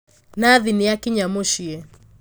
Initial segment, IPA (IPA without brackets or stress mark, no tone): n